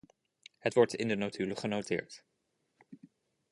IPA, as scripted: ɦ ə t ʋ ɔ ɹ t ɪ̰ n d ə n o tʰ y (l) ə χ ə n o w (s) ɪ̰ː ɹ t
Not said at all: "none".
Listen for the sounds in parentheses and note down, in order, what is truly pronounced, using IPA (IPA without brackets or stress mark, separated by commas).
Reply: l, t